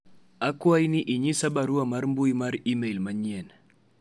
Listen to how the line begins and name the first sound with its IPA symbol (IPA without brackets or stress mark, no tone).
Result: a